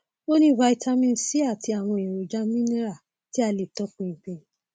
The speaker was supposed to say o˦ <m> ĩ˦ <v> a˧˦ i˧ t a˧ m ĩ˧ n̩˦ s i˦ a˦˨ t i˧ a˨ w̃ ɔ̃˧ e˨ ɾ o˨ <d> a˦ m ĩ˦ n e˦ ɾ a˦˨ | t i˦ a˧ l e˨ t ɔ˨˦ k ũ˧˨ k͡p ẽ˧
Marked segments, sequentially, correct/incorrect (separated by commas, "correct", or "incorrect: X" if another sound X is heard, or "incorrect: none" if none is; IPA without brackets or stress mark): incorrect: n, correct, incorrect: d͡ʒ